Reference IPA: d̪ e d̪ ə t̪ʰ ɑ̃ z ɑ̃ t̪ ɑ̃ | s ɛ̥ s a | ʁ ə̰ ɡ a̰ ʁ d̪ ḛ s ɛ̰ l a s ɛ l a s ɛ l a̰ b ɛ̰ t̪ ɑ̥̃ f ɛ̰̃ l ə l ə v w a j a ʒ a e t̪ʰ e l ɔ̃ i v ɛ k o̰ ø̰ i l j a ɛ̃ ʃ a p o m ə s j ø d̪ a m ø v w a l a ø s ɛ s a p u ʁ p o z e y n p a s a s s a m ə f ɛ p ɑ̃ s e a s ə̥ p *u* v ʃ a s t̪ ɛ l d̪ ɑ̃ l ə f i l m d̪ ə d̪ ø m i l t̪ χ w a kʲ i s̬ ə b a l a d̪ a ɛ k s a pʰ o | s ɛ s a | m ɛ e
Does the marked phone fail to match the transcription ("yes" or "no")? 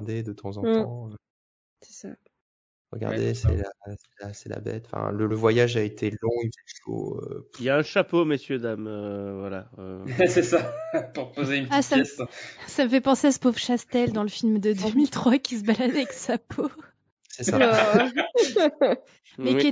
yes